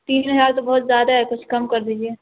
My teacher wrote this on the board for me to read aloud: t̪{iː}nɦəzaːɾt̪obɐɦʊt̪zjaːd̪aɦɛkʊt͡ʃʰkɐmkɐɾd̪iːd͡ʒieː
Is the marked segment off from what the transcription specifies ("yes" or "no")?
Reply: no